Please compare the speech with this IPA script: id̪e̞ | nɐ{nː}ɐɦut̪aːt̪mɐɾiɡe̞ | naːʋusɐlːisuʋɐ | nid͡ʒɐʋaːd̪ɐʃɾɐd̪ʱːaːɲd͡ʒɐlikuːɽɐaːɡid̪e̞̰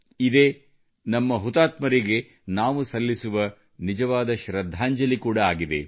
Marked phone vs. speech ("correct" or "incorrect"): incorrect